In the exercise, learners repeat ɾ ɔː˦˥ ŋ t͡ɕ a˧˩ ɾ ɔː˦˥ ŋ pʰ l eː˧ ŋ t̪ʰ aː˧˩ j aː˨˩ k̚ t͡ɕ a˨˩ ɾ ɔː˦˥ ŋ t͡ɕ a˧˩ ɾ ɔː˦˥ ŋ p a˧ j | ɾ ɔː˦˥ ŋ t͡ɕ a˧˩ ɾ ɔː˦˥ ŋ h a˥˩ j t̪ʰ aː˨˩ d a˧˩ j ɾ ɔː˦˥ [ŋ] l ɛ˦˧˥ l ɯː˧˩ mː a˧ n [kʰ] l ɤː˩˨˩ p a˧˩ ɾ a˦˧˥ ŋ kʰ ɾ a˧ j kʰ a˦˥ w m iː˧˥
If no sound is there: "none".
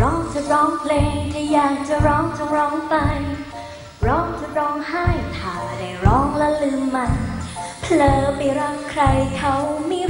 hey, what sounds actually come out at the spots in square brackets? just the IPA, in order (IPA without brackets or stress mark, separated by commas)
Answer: ŋ, pʰ